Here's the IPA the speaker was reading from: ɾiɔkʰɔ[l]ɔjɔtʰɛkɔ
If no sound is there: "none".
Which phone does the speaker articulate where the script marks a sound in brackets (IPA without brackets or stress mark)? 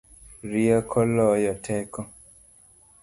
l